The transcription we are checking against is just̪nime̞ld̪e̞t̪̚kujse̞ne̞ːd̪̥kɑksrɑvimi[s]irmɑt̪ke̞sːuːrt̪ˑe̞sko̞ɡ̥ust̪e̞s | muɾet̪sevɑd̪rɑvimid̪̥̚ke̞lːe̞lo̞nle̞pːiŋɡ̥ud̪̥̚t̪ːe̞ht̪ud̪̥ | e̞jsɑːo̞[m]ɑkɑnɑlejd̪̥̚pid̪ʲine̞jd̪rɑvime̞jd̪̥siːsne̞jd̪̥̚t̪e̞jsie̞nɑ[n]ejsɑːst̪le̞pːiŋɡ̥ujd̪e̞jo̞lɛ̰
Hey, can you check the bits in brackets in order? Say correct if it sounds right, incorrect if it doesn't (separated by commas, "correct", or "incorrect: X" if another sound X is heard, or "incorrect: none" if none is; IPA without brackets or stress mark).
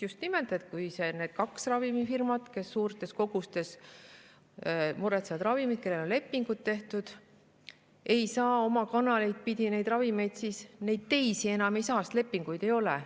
incorrect: f, correct, incorrect: m